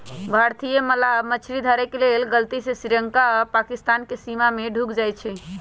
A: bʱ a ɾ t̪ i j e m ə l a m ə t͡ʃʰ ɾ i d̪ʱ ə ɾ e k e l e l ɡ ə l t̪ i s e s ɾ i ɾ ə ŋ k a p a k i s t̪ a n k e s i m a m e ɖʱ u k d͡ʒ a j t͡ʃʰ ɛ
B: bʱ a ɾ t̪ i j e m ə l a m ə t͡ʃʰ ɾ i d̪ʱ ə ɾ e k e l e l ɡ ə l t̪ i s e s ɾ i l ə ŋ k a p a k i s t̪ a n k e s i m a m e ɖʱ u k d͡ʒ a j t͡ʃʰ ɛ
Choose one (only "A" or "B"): A